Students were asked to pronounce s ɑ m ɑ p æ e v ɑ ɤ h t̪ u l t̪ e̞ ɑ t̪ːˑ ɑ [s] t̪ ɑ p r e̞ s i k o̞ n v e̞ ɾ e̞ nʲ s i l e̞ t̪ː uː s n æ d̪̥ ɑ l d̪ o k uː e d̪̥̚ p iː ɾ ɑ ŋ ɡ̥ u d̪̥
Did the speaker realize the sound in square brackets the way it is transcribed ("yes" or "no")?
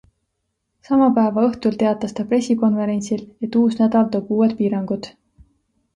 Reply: yes